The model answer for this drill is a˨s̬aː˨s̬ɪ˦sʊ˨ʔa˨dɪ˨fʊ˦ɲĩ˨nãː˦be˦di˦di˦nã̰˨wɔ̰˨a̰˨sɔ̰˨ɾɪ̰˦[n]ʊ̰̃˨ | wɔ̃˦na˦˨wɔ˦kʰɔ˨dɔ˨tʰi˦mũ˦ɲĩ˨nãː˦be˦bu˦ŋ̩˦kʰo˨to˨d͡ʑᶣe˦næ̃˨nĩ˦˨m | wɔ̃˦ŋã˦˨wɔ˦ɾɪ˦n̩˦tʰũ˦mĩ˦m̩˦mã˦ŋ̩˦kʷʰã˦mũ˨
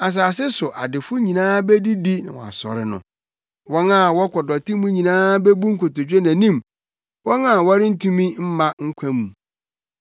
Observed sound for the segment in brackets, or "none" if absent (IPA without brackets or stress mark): n